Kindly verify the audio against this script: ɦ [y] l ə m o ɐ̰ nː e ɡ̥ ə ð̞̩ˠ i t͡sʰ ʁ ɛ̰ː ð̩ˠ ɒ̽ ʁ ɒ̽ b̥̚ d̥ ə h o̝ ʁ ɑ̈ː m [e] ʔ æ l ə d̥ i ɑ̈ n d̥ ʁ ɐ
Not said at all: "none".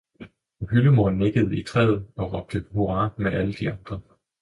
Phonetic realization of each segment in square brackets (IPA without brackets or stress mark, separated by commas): y, e